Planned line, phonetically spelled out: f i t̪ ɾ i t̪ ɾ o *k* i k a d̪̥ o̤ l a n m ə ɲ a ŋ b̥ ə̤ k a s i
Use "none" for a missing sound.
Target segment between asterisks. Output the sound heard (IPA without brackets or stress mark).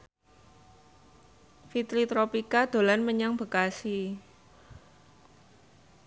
p